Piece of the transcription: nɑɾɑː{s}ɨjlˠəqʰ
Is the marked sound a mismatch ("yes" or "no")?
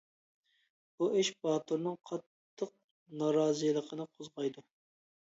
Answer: yes